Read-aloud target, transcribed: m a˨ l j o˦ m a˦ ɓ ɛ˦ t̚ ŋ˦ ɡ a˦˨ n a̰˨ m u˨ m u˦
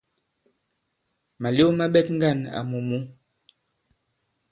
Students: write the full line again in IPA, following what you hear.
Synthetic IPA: m a˨ l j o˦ m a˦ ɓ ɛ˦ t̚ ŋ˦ ɡ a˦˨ n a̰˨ m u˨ m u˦